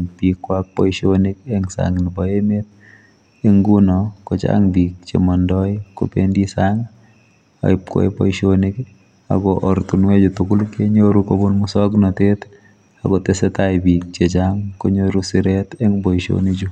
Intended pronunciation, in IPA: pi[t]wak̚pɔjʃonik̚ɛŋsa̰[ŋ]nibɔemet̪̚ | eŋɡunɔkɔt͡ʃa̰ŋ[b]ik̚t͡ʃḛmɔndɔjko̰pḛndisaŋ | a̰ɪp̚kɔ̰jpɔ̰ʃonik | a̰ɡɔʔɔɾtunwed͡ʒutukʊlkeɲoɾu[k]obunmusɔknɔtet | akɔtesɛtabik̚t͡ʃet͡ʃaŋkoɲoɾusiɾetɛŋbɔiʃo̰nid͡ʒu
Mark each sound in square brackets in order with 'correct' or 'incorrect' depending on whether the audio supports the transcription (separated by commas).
incorrect, correct, correct, correct